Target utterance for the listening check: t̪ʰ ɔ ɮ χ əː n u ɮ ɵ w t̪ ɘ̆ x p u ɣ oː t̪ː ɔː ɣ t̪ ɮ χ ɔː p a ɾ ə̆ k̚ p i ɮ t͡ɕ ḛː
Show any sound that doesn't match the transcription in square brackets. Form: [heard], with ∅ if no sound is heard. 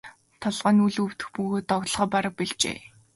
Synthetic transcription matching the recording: t̪ʰ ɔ ɮ [ʁ] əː n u ɮ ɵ w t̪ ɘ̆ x p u ɣ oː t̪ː [ɔ] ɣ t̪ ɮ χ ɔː p a ɾ ə̆ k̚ p i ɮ t͡ɕ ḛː